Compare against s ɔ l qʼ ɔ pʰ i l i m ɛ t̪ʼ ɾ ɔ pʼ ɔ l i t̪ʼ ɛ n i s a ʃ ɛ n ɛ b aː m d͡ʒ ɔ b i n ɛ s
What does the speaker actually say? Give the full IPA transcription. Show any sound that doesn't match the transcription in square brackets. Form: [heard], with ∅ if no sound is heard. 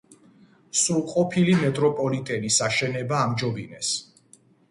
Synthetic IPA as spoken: s [u] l qʼ ɔ pʰ i l i m ɛ t̪ʼ ɾ ɔ pʼ ɔ l i t̪ʼ ɛ n i s a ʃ ɛ n ɛ b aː m d͡ʒ ɔ b i n ɛ s